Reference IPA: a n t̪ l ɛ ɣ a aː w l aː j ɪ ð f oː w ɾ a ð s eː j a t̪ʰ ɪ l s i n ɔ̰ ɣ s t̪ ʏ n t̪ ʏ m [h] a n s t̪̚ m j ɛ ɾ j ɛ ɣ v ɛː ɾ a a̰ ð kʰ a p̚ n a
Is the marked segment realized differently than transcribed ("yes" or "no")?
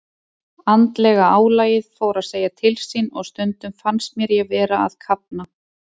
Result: yes